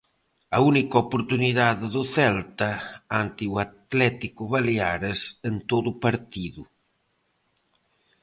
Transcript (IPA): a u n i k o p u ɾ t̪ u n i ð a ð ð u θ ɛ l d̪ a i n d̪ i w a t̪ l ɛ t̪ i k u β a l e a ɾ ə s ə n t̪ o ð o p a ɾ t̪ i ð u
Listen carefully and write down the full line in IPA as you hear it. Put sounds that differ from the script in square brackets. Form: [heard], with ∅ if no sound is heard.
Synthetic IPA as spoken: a u n i k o p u ɾ t̪ u n i ð a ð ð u θ ɛ l [t̪] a [a] n [t̪] i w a t̪ l ɛ t̪ i k u β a l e a ɾ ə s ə n t̪ o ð [u] p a ɾ t̪ i ð u